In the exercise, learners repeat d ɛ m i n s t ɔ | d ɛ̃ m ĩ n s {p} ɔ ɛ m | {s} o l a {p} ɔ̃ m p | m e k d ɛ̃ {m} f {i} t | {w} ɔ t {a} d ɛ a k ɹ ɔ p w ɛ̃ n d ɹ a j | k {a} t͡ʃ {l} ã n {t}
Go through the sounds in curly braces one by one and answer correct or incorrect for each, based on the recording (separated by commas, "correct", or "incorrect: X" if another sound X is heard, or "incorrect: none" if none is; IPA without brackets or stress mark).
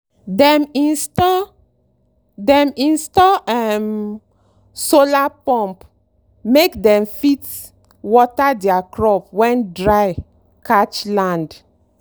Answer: incorrect: t, correct, correct, correct, correct, correct, correct, correct, correct, incorrect: d